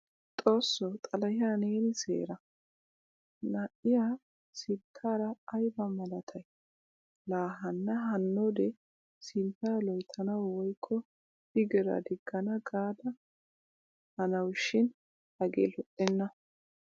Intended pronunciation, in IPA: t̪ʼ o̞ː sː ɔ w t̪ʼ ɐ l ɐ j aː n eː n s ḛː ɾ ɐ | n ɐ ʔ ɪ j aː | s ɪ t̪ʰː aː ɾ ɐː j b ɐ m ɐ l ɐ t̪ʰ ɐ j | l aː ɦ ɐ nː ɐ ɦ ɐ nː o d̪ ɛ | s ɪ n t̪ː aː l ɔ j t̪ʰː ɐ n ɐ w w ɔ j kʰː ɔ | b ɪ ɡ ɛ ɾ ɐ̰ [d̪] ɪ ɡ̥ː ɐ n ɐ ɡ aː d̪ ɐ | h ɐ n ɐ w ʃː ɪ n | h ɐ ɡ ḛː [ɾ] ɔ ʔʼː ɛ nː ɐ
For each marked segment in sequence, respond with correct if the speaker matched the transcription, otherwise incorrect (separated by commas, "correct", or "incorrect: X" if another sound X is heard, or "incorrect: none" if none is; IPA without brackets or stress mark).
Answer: correct, incorrect: l